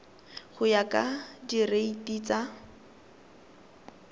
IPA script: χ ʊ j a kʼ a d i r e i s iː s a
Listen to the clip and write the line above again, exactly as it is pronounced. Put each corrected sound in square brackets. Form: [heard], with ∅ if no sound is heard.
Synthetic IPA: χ ʊ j a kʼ a d i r e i [t] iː [t͡s] a